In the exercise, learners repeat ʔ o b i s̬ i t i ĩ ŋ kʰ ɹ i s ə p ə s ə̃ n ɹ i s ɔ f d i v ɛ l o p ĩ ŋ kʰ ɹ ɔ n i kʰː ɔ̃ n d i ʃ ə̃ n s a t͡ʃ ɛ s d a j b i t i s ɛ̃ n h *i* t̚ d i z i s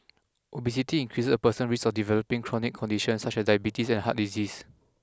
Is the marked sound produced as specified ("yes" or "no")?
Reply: no